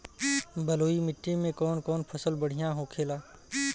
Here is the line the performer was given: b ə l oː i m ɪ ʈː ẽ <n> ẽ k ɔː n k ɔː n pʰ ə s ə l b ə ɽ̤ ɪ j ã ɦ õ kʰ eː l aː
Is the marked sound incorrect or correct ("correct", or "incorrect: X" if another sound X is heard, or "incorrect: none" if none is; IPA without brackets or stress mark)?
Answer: incorrect: m